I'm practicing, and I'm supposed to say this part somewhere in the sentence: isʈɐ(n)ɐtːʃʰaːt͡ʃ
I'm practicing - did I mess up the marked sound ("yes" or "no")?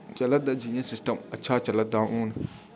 yes